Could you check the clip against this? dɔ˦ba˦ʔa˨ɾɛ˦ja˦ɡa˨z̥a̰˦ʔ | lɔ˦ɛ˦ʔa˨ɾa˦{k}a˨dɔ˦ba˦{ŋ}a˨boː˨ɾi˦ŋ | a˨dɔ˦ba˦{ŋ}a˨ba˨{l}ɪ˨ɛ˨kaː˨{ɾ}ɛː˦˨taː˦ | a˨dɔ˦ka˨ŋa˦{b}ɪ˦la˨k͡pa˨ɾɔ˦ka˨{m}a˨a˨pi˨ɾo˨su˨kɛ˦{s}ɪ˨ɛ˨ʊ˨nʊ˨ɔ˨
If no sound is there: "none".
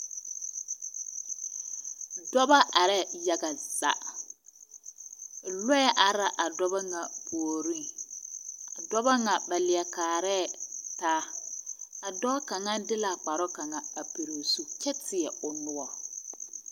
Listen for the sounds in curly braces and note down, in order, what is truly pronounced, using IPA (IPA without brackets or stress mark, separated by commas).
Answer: ʔ, ŋ, ŋ, l, ɾ, d, ŋ, t